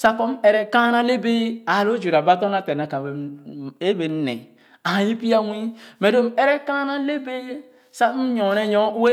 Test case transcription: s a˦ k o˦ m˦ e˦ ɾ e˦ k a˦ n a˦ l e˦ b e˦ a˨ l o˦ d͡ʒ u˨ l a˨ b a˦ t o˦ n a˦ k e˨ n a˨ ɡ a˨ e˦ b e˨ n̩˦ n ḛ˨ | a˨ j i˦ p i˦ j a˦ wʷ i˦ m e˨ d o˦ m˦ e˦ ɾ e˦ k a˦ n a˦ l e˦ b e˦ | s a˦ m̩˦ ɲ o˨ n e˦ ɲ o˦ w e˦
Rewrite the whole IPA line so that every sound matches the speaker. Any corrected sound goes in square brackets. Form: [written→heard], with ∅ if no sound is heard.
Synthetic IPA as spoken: s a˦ k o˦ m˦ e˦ ɾ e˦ k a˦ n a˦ l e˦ b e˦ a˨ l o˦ d͡ʒ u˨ [l→ɾ] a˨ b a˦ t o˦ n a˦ [k→t] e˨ n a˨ [ɡ→k] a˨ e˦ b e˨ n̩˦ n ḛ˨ | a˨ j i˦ p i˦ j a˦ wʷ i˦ m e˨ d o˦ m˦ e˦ ɾ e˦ k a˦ n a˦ l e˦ b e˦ | s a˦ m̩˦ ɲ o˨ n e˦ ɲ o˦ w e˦

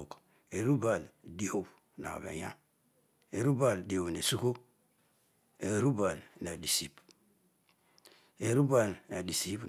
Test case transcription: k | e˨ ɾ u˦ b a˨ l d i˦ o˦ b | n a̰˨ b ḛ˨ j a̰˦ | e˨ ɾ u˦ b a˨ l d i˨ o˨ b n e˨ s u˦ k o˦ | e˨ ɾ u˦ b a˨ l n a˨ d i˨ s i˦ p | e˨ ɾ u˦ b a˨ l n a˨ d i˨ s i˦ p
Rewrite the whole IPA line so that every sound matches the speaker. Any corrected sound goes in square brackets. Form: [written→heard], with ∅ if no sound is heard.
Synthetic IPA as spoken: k | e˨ ɾ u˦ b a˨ l d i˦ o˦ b | n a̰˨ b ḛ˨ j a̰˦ | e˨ ɾ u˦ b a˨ l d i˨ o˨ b n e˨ s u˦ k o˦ | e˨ ɾ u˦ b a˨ l n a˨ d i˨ s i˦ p | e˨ ɾ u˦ b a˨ l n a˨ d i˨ s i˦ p

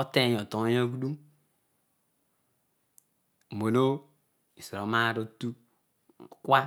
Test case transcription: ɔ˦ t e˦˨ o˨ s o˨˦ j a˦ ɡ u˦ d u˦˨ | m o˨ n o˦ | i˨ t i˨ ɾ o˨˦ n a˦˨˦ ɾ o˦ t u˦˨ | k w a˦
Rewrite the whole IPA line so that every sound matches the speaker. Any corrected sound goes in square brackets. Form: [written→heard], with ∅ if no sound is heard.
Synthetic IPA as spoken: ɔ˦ t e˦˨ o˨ [s→t] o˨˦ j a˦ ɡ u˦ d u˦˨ | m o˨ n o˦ | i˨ [t→s] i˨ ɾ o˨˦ [n→m] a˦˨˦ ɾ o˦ t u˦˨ | k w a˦

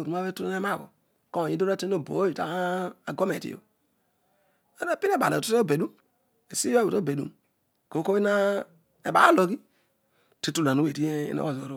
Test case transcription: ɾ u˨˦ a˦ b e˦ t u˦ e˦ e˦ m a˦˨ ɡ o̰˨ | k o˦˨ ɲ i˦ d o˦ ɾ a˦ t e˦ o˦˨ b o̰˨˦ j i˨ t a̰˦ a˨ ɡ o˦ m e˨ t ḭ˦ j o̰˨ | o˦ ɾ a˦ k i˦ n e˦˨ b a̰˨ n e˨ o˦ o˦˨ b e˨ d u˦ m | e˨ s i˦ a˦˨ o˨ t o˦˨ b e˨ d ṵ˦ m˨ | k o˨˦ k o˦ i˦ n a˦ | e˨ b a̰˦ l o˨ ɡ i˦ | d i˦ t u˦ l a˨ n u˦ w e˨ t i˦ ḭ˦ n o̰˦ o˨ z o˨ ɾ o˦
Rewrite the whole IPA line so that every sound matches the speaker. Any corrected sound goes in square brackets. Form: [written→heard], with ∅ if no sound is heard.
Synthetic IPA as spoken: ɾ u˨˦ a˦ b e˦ t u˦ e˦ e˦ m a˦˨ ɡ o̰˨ | k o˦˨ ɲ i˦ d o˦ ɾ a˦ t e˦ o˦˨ b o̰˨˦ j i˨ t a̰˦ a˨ ɡ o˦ m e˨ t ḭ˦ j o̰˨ | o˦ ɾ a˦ [k→p] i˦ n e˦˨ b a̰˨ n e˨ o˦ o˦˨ b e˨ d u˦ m | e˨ s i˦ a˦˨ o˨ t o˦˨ b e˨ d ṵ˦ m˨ | k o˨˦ k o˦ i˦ n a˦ | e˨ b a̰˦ l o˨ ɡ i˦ | [d→t] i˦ t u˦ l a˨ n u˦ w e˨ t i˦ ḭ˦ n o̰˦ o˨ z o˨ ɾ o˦

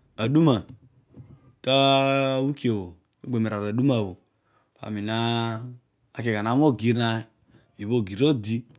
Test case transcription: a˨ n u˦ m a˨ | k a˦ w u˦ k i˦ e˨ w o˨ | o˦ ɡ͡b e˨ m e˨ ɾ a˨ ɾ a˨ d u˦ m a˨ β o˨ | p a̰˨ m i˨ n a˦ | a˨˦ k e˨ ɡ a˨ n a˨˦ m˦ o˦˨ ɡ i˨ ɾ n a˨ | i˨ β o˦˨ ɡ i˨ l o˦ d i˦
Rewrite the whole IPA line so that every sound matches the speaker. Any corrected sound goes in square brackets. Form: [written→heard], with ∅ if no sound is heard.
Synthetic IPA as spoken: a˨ [n→d] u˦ m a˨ | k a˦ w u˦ k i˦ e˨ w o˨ | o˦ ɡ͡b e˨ m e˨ ɾ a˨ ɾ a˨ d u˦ m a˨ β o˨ | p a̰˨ m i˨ n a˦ | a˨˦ k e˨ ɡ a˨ n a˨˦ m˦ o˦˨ ɡ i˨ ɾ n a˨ | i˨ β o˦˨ ɡ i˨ [l→ɾ] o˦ d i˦

